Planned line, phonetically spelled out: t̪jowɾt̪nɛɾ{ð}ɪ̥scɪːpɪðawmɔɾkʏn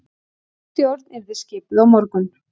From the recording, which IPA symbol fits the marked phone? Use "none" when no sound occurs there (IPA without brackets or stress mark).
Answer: ð